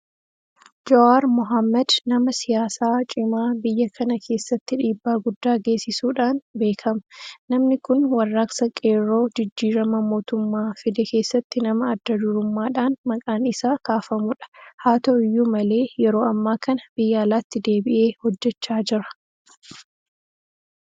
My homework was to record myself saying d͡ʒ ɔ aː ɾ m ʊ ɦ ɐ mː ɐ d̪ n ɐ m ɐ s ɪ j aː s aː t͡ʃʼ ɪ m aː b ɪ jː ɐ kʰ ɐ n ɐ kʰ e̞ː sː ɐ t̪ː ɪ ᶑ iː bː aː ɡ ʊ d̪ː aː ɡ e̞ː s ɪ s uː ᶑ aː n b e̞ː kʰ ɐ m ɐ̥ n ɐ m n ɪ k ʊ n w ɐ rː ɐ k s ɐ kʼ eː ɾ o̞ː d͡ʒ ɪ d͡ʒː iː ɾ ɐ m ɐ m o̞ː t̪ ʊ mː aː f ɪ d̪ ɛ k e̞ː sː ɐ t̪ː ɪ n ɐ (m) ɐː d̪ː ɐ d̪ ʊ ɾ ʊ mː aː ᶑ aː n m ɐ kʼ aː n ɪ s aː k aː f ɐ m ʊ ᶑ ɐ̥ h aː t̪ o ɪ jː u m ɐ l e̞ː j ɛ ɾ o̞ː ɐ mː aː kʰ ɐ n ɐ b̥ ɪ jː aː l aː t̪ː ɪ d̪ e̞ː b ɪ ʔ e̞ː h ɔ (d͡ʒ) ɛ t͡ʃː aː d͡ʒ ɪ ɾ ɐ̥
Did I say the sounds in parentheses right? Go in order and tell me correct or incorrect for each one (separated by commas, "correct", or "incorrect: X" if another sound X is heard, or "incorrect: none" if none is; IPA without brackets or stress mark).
correct, incorrect: d͡ʒː